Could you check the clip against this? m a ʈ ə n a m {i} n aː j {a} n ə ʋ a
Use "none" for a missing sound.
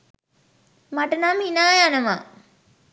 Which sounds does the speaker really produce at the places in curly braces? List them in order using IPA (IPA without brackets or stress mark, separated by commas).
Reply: i, a